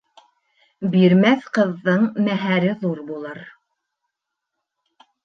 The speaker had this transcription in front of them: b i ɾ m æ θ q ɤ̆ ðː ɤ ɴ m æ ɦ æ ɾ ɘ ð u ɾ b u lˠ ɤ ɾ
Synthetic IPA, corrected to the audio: b i ɾ m æ θ q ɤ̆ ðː ɤ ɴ m æ ɦ æ ɾ ɘ ð u ɾ b u lˠ ɤ ɾ